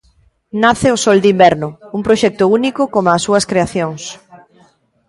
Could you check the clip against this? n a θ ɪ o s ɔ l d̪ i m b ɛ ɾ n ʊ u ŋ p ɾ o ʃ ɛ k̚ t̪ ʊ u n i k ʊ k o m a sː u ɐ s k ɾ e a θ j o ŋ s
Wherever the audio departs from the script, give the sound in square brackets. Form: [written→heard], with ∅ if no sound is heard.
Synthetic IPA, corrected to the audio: n a θ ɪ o s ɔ l d̪ i m b ɛ ɾ n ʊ u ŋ p ɾ o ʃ ɛ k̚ t̪ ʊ u n i k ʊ k o m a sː u ɐ s k ɾ e a θ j o ŋ s